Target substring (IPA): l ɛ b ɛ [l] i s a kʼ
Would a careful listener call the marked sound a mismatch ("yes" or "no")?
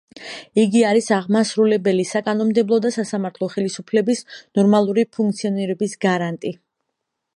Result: no